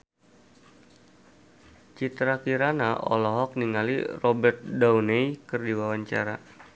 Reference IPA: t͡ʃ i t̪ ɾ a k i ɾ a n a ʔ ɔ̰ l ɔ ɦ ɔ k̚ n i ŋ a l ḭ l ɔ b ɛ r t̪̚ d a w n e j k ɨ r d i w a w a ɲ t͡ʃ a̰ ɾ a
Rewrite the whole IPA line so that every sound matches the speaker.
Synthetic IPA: t͡ʃ i t̪ ɾ a k i ɾ a n a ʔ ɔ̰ l ɔ ɦ ɔ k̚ n i ŋ a l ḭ r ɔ b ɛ r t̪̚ d a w n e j k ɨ r d i w a w a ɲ t͡ʃ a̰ ɾ a